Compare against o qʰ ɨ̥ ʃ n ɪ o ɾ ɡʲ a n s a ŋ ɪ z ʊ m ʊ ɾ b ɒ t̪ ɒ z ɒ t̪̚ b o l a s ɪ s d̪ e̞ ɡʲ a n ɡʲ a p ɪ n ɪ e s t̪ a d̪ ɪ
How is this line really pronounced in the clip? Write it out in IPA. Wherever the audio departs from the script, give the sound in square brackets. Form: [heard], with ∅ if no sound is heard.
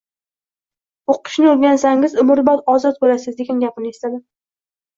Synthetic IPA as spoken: o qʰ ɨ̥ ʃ n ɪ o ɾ ɡʲ a n s a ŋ ɪ z ʊ m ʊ ɾ b ɒ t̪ ɒ z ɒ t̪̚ b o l a s ɪ [z] d̪ e̞ ɡʲ a n ɡʲ a p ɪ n ɪ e s t̪ a d̪ ɪ